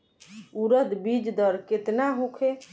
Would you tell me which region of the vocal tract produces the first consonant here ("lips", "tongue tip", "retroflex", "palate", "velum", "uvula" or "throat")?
tongue tip